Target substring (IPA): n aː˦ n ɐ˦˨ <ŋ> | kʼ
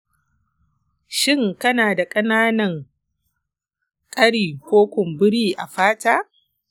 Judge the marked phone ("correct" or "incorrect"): correct